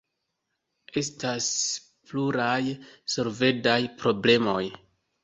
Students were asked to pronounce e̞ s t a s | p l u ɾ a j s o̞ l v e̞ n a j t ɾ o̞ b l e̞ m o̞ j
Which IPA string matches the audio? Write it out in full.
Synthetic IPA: e̞ s t a s | p l u ɾ a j s o̞ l v e̞ d a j p ɾ o̞ b l e̞ m o̞ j